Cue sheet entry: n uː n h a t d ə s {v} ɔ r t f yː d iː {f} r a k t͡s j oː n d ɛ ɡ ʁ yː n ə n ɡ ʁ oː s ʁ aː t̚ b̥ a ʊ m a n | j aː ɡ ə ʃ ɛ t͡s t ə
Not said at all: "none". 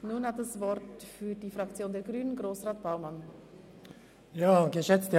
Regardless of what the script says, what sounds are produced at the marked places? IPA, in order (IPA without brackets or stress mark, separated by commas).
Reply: v, f